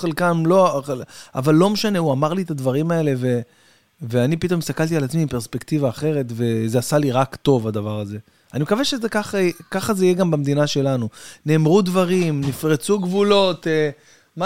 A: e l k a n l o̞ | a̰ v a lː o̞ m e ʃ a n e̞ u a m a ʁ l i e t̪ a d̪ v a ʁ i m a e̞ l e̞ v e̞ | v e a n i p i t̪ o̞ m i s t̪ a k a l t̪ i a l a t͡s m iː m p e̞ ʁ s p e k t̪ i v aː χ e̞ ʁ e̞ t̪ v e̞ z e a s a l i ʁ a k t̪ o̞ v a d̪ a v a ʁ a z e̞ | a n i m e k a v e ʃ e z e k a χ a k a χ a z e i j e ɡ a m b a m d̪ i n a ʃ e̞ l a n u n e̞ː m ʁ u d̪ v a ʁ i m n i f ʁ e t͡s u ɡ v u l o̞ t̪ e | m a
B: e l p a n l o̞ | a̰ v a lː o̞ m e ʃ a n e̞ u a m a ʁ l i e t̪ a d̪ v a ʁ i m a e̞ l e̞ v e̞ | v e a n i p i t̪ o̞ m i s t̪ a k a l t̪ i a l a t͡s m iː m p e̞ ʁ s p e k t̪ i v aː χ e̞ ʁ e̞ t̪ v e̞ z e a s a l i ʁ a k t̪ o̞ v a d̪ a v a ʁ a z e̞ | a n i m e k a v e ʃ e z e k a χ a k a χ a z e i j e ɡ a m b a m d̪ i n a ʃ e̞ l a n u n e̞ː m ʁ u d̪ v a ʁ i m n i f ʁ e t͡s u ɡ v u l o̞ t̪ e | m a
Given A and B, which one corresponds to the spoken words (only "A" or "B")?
A